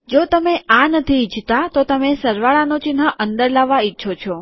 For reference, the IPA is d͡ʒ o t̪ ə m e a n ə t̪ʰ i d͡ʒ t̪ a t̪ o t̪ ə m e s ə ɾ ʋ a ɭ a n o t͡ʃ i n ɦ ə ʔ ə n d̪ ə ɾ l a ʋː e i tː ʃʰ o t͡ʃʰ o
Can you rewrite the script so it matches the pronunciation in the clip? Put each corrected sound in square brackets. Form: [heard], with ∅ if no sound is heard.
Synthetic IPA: d͡ʒ o t̪ ə m e a n ə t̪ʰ i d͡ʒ t̪ a t̪ o t̪ ə m e s ə ɾ ʋ a ɭ a n o t͡ʃ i n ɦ ə ʔ ə n d̪ ə ɾ l a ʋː [a] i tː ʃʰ o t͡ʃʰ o